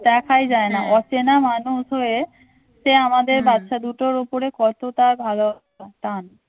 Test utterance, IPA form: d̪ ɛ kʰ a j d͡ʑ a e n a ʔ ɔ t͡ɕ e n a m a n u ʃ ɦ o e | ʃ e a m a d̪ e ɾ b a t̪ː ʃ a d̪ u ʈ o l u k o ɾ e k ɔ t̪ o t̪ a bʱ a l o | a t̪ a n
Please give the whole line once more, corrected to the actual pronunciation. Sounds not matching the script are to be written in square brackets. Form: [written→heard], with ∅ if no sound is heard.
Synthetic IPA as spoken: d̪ ɛ kʰ a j d͡ʑ a e n a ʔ ɔ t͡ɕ e n a m a n u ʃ ɦ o e | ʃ e a m a d̪ e ɾ b a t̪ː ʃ a d̪ u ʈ o [l→ɾ] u [k→p] o ɾ e k ɔ t̪ o t̪ a bʱ a l o | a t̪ a n